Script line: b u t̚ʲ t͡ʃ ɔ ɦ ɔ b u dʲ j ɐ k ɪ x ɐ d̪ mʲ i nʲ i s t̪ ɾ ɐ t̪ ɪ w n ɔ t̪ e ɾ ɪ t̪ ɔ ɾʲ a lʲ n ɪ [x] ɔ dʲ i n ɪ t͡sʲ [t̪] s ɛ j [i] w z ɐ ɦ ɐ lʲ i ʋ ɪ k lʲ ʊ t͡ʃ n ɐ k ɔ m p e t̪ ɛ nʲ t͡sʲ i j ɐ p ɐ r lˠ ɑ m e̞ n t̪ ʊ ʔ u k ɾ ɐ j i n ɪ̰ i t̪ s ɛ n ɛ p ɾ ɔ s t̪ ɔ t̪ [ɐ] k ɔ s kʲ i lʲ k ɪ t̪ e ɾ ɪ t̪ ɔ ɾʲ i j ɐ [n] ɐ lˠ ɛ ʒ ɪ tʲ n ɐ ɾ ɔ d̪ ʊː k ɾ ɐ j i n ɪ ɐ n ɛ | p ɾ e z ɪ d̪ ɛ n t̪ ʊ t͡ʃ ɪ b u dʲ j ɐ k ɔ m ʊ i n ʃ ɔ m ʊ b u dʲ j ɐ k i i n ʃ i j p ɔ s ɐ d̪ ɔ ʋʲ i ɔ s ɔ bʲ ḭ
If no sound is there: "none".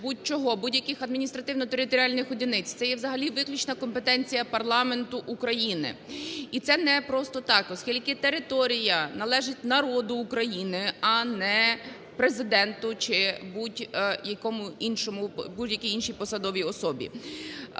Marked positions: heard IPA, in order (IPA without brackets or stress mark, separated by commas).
x, t̪, ɛ, ɑ, n